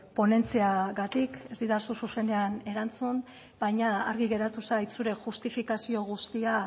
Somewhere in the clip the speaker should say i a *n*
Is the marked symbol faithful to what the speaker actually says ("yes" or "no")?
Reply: no